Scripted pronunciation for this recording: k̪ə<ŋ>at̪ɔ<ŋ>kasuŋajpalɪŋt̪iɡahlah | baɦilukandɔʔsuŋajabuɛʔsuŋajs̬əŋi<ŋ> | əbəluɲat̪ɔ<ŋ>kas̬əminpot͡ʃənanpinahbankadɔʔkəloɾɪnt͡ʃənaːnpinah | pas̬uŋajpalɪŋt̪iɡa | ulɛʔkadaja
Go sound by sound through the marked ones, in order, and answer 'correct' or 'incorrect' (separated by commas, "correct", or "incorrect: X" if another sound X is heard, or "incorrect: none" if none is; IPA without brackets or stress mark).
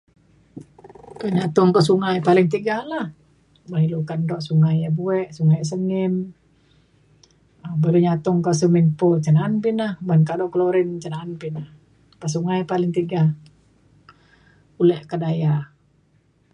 incorrect: ɲ, correct, incorrect: m, correct